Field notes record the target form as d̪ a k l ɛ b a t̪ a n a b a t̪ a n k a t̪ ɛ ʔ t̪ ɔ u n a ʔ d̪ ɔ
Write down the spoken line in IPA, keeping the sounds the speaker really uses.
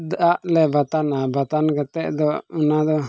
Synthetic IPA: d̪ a ʔ l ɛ b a t̪ a n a b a t̪ a n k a t̪ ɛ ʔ d̪ ɔ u n a d̪ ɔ